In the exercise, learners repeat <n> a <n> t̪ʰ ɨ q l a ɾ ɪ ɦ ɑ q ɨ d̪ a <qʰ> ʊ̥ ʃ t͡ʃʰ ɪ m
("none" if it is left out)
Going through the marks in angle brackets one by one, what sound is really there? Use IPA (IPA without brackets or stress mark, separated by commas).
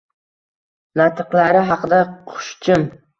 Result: n, none, qʰ